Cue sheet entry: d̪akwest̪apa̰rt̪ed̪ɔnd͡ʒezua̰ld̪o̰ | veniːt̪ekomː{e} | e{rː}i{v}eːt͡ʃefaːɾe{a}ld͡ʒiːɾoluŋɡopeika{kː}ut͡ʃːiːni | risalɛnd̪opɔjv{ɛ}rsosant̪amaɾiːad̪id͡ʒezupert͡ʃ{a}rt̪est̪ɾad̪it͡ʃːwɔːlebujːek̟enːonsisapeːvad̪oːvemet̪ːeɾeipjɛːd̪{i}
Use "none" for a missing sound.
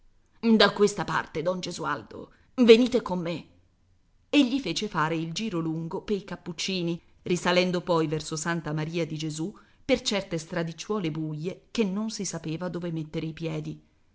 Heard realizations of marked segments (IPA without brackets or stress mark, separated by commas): e, ʎː, f, i, pː, ɛ, ɛ, i